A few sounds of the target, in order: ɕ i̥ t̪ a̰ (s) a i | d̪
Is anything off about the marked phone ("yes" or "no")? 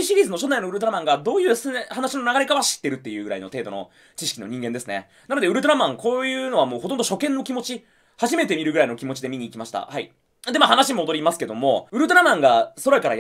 yes